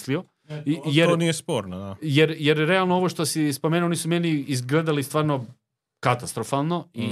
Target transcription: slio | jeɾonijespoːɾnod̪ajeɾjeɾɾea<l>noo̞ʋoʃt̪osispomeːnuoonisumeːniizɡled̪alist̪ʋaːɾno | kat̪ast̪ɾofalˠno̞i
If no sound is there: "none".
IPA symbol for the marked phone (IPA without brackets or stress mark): l